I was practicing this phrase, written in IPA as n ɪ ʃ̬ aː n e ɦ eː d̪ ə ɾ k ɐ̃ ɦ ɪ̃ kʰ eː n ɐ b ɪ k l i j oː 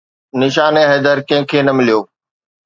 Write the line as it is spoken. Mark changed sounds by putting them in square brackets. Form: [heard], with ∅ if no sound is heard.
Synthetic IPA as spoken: n ɪ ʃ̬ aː n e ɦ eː d̪ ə ɾ k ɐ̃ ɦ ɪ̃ kʰ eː n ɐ [m] ɪ [∅] l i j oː